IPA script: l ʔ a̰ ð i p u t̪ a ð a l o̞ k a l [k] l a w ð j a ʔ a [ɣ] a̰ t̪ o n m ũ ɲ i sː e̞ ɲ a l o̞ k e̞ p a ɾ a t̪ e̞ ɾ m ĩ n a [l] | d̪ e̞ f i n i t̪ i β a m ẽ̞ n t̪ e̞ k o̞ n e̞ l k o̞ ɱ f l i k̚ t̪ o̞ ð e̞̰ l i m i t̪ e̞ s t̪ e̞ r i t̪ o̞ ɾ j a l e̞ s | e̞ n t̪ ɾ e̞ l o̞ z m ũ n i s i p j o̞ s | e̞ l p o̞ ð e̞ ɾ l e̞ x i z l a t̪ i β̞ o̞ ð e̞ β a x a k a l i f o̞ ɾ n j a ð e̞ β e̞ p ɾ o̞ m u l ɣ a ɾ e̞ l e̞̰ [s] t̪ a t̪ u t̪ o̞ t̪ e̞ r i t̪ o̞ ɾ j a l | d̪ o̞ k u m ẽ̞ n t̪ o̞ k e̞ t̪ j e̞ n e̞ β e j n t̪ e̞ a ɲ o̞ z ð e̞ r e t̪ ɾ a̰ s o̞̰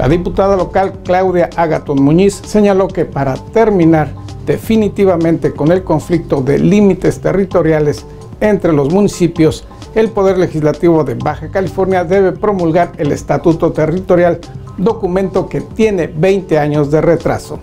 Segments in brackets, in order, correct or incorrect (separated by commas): correct, correct, incorrect, correct